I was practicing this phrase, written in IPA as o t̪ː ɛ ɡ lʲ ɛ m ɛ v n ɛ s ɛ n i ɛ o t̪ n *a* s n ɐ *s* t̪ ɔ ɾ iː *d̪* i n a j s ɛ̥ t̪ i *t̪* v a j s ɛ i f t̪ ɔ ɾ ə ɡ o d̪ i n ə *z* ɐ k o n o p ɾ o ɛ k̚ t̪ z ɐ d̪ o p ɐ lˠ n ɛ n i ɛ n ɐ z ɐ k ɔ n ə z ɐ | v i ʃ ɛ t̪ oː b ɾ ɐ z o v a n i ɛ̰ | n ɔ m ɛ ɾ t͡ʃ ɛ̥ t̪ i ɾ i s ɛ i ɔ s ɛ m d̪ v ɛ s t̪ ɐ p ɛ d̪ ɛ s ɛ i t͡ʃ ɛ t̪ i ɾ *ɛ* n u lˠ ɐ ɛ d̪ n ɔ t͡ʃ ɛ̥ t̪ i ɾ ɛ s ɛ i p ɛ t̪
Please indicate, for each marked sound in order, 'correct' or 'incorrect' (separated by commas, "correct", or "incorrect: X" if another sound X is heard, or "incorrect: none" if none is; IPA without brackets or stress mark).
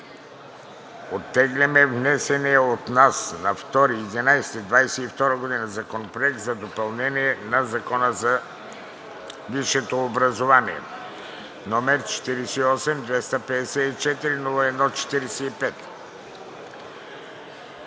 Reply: correct, incorrect: f, correct, incorrect: d̪, correct, incorrect: i